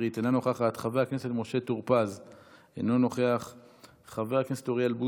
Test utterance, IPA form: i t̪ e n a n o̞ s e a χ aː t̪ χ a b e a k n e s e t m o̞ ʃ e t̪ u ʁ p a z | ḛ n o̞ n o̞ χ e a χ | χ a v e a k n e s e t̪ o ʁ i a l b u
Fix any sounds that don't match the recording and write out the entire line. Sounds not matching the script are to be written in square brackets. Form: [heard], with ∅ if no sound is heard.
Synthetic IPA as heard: i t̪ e n a n o̞ [χ] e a χ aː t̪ χ a [v] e a k n e s e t m o̞ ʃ e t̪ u ʁ p a z | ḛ n o̞ n o̞ χ e a χ | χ a v e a k n e s e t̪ o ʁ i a l b u